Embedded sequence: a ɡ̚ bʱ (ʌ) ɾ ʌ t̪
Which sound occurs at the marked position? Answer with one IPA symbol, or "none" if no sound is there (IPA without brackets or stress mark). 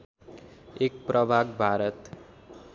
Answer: a